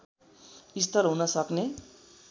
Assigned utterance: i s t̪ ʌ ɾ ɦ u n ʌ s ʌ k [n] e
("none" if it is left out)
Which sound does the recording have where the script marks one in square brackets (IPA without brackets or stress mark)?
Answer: n